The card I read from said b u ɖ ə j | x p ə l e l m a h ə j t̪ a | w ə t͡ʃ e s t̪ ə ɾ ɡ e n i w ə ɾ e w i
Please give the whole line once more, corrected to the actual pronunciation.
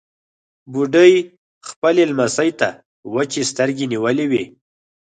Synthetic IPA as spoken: b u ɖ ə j | x p ə l e l m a s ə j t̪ a | w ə t͡ʃ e s t̪ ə ɾ ɡ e n i w ə l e w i